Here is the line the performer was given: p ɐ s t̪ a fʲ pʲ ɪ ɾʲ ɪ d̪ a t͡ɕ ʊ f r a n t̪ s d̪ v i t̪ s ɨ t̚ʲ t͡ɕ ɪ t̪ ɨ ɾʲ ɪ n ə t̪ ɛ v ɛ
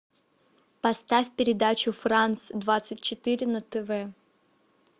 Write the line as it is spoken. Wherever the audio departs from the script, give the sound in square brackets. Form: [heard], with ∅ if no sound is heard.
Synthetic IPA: p ɐ s t̪ a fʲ pʲ ɪ ɾʲ ɪ d̪ a t͡ɕ ʊ f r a n t̪ s d̪ v [a] t̪ s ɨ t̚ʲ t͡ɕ ɪ t̪ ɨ ɾʲ ɪ n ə t̪ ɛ v ɛ